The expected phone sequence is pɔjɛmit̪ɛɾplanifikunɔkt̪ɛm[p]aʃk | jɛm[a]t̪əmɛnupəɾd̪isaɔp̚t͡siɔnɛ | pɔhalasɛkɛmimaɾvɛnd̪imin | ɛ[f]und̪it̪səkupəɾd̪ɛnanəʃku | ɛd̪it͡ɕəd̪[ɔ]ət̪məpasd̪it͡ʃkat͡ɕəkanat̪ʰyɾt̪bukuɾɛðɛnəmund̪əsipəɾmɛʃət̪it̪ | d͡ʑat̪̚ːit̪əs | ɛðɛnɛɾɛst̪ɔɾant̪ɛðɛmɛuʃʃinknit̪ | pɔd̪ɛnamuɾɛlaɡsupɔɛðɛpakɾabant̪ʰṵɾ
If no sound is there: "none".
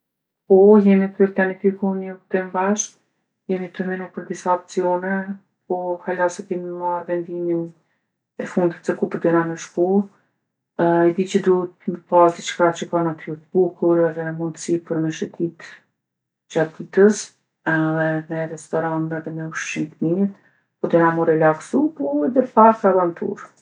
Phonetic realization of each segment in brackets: b, i, f, u

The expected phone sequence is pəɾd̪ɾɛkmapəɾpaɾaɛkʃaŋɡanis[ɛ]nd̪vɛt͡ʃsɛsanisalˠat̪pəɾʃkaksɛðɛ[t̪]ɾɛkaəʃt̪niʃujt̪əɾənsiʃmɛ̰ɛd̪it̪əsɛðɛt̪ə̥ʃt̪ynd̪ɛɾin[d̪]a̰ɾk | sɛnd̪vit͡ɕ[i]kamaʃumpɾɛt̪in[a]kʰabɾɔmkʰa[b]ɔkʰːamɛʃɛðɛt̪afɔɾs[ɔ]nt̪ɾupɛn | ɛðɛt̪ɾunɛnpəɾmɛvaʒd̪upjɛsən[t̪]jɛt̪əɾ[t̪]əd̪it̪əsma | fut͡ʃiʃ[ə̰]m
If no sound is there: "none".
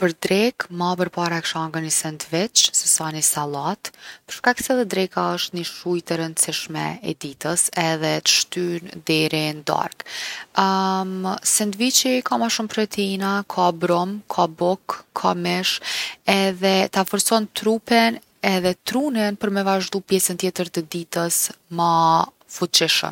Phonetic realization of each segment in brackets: ɛ, d̪, d̪, i, a, b, ɔ, t̪, t̪, ə̰

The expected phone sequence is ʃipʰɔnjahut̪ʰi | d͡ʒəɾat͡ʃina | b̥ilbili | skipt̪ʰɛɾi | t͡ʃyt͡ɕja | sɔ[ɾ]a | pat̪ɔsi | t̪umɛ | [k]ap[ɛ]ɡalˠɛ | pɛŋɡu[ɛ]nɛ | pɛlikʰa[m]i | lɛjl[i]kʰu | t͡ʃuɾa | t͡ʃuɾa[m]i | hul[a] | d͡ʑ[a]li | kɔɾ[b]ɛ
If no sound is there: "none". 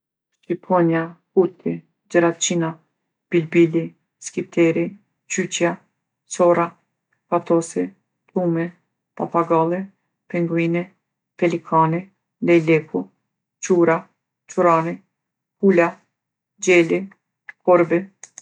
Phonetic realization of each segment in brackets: ɾ, p, a, i, n, ɛ, n, a, ɛ, b

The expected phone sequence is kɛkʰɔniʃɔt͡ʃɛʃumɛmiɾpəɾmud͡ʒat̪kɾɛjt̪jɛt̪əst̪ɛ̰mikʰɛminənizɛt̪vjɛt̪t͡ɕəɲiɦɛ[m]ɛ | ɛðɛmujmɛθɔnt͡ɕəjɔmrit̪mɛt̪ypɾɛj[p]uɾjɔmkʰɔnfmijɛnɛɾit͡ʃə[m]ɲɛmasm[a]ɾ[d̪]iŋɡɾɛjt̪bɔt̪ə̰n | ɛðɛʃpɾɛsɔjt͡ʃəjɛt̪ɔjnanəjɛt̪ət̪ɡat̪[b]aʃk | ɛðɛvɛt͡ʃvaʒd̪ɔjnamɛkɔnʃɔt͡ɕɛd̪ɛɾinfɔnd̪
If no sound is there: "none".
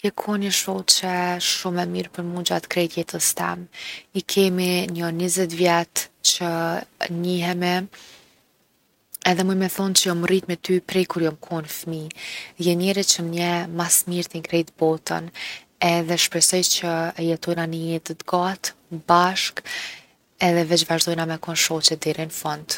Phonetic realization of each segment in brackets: m, k, m, i, t̪, b

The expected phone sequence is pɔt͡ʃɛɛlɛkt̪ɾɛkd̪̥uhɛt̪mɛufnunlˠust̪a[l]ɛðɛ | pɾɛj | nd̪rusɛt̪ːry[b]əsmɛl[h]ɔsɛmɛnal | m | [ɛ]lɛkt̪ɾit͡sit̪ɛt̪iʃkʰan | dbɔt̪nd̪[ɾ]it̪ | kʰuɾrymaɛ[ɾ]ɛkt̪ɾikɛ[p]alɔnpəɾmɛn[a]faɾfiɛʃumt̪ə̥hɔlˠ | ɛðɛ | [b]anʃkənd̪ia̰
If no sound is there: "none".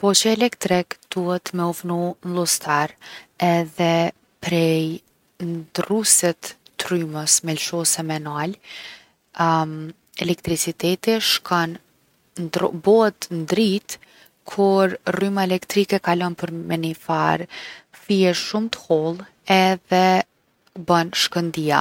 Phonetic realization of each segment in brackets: ɾ, m, ʃ, ɛ, ɾ, l, k, i, b

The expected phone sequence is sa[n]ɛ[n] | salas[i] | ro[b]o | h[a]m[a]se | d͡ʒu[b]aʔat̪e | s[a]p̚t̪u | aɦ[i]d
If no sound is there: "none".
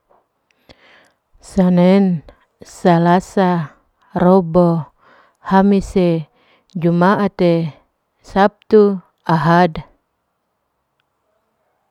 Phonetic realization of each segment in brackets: n, n, a, b, a, i, m, a, a

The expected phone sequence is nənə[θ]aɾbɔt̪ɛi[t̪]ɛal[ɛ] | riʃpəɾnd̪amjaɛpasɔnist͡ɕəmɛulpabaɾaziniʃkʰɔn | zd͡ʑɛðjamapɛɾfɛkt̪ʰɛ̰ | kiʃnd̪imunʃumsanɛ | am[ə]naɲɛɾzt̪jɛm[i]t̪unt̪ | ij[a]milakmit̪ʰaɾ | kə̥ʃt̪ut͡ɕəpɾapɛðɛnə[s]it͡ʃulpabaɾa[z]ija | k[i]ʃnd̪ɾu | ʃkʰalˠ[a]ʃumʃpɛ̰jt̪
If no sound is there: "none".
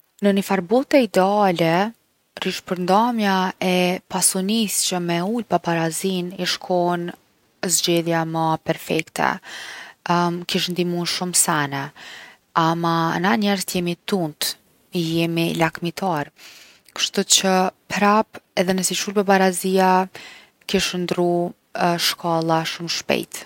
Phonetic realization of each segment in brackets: f, d̪, ɛ, a, i, ɛ, s, z, i, a

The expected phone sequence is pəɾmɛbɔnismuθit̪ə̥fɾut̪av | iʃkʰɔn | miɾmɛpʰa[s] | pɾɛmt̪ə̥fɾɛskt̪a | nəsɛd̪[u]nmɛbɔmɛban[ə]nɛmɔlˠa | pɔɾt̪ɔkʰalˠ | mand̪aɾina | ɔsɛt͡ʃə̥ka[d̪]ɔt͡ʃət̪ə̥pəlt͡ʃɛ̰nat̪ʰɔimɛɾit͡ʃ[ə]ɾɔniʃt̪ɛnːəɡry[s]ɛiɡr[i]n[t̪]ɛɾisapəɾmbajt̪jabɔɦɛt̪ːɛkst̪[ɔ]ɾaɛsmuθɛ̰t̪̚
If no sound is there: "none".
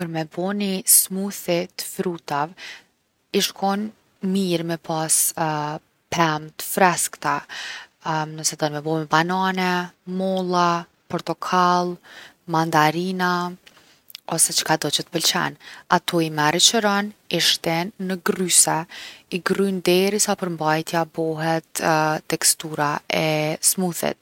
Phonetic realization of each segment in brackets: s, ɔ, a, d̪, ə, s, y, d̪, u

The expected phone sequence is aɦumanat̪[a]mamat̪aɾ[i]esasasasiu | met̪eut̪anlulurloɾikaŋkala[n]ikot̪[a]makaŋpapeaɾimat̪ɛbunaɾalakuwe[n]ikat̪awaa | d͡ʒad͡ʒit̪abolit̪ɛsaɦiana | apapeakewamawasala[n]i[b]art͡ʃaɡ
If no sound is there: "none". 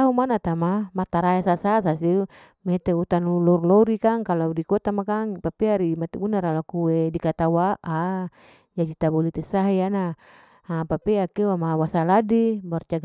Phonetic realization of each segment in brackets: a, a, d, a, d, d, b

